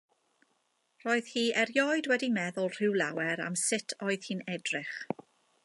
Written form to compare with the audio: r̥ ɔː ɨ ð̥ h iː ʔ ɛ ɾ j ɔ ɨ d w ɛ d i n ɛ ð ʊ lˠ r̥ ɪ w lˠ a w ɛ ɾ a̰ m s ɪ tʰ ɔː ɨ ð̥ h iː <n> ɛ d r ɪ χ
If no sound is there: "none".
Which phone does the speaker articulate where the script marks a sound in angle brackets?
n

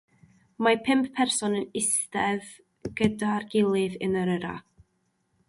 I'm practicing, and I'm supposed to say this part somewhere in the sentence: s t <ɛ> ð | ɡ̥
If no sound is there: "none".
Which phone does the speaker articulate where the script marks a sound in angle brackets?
ɛ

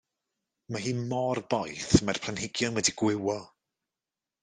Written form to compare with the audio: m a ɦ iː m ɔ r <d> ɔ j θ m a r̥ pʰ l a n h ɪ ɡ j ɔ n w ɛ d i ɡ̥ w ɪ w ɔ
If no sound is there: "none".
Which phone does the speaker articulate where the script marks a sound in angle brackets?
b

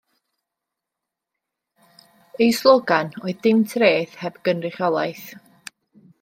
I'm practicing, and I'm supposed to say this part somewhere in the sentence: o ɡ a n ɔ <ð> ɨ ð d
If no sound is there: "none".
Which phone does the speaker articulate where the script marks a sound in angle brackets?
none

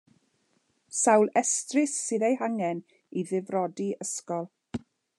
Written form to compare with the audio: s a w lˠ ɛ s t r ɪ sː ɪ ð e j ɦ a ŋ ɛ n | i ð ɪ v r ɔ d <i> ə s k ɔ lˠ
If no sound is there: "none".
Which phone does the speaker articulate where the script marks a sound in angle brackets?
i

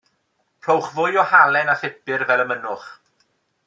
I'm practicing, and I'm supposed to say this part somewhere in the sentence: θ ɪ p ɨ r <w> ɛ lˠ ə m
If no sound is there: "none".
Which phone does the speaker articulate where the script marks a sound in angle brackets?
v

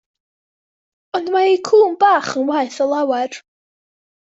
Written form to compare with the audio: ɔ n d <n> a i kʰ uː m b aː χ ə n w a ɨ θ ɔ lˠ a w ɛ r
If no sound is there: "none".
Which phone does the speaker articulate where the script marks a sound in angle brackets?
m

